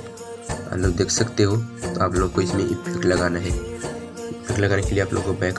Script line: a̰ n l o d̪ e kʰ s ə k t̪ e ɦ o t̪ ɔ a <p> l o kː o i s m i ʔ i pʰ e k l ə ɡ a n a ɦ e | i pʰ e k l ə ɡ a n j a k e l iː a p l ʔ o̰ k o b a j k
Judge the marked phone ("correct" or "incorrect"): correct